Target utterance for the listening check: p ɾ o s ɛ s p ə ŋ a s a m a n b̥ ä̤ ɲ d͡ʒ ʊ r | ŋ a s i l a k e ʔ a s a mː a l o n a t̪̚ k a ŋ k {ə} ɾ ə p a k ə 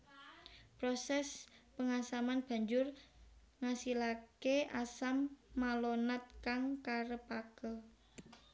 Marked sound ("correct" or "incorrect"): incorrect